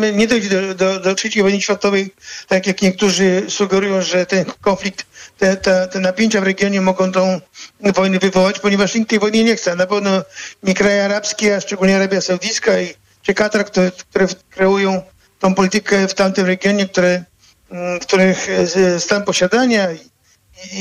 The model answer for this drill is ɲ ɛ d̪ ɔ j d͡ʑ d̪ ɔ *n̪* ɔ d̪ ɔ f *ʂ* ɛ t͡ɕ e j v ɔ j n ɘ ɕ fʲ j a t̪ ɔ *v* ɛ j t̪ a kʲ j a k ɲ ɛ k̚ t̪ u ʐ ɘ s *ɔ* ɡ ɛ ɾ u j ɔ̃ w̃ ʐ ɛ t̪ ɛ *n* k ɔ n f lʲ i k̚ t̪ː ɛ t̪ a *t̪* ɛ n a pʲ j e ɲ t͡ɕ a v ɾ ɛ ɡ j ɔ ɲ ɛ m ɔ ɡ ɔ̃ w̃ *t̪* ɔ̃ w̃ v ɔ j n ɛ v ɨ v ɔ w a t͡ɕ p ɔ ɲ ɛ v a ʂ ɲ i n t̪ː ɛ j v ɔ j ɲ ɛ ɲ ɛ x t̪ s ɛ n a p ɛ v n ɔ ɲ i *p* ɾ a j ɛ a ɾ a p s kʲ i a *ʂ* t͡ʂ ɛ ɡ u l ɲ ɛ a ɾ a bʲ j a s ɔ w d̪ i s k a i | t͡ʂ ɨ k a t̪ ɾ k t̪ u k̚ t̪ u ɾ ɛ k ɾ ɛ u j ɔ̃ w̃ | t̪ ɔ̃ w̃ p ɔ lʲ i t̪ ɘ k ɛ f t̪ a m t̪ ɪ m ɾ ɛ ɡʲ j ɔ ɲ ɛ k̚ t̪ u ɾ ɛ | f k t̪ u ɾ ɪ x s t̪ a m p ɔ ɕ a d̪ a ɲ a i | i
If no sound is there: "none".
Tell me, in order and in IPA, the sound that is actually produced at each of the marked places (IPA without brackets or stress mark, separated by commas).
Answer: d̪, ʂ, v, u, n, t̪, t̪, k, ʂ